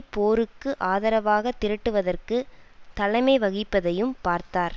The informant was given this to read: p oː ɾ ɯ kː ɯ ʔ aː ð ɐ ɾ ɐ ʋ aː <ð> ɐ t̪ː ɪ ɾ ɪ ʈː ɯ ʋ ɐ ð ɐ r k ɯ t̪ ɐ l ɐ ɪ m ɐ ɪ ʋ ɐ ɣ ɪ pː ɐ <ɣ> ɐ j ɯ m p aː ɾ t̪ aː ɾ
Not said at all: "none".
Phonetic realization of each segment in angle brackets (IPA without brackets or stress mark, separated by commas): ɣ, ð